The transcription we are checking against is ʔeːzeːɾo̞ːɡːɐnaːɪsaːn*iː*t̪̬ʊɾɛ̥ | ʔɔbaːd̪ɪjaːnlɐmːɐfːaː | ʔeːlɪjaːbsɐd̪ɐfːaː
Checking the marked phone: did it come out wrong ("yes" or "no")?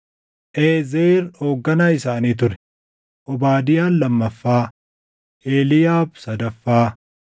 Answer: no